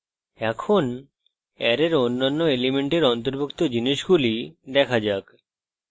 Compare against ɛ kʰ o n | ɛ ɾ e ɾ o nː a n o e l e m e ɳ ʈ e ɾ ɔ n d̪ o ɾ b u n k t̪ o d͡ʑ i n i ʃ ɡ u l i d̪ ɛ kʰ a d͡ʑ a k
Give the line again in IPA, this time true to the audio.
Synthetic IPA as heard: ɛ kʰ o n | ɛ ɾ e ɾ o nː a nː o e l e m e ɳ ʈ e ɾ ɔ n t̪ o ɾ b u k t̪ o d͡ʑ i n i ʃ ɡ u l i d̪ ɛ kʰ a d͡ʑ a k